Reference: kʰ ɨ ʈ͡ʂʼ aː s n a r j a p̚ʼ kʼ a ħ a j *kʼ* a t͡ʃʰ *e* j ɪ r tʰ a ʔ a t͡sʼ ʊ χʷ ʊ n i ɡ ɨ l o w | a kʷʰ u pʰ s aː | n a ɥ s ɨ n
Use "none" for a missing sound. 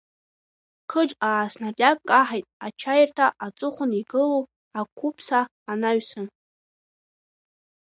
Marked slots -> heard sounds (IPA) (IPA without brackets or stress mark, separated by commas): tʼ, a